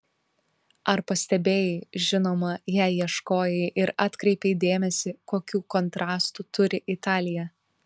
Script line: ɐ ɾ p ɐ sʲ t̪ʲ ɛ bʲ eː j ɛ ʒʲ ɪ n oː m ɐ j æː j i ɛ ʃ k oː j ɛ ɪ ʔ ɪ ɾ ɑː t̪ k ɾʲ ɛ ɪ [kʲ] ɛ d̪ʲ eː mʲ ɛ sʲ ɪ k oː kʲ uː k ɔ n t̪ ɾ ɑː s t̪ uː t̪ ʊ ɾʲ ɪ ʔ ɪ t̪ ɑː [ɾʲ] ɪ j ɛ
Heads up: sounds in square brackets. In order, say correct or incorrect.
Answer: incorrect: pʲ, incorrect: lʲ

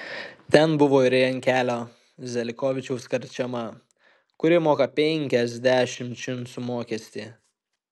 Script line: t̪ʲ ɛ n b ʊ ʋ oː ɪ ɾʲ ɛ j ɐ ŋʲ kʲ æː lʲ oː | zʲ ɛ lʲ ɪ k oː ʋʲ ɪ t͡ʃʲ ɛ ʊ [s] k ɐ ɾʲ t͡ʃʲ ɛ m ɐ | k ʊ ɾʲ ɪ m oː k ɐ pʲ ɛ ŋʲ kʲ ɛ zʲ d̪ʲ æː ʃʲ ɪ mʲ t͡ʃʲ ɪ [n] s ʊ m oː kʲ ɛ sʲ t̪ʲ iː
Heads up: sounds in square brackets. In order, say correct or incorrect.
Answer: correct, correct

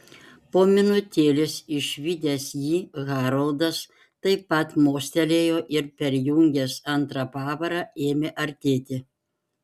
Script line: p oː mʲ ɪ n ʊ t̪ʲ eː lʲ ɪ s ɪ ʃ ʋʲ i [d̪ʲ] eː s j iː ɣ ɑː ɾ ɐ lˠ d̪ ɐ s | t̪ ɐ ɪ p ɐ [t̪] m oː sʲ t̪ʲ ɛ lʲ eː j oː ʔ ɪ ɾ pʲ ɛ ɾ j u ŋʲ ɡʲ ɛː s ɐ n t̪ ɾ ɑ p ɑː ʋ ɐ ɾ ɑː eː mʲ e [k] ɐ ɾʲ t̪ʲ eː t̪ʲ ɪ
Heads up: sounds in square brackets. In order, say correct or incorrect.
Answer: correct, correct, incorrect: ʔ

